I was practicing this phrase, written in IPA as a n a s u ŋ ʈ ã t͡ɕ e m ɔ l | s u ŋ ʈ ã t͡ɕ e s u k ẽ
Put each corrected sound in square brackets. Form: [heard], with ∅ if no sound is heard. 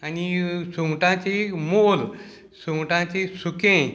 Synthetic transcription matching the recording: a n [i] s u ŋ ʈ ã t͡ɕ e m [o] l | s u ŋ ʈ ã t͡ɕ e s u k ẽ